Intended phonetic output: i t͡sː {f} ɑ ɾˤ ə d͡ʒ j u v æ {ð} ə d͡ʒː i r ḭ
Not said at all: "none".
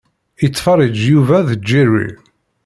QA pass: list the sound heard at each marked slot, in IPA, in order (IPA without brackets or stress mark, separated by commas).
f, ð